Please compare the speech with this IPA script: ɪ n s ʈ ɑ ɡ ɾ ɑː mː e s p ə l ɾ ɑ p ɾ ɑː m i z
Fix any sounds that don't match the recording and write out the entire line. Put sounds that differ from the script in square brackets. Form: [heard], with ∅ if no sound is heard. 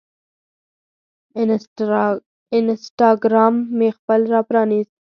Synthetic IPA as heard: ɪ n s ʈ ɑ ɡ ɾ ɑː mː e [x] p ə l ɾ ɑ p ɾ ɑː [n] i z